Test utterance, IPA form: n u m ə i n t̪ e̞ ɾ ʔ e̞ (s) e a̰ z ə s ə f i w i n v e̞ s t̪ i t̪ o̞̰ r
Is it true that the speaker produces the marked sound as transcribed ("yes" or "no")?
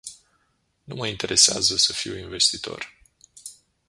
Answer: yes